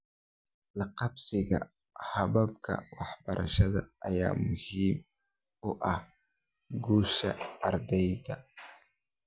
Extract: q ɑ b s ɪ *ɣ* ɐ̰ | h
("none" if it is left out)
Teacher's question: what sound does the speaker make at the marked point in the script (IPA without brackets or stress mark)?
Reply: ɣ